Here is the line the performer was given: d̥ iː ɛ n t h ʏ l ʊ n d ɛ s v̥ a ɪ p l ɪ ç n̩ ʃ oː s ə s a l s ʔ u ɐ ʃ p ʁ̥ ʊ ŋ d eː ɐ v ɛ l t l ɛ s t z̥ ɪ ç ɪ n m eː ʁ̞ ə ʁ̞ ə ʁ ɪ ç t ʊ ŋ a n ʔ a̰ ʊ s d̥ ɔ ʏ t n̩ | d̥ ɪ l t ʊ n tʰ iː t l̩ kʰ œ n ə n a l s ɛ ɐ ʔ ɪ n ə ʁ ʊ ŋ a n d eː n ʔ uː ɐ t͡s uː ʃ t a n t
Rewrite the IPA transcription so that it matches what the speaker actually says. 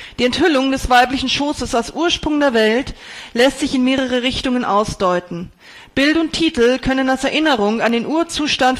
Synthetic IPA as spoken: d̥ iː ɛ n t h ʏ l ʊ ŋ d ɛ s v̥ a ɪ p l ɪ ç n̩ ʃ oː s ə s a l s ʔ uː ɐ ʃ p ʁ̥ ʊ ŋ d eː ɐ v ɛ l t l ɛ s t z̥ ɪ ç ɪ n m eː ʁ̞ ə ʁ̞ ə ʁ ɪ ç t ʊ ŋ ə n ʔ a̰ ʊ s d̥ ɔ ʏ t n̩ | b̥ ɪ l t ʊ n tʰ iː t l̩ kʰ œ n ə n a l s ɛ ɐ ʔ ɪ n ə ʁ ʊ ŋ a n d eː n ʔ uː ɐ t͡s uː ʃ t a n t